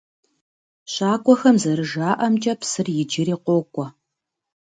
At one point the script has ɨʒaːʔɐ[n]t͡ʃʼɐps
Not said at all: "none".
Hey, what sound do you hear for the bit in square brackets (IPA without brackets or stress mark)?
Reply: m